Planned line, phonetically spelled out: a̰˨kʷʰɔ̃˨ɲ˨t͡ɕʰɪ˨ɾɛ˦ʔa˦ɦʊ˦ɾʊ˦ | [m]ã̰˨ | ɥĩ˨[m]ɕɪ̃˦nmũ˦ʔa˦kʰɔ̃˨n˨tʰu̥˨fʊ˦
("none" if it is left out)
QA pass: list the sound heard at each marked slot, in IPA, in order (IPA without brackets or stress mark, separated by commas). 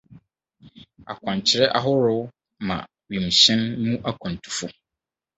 m, m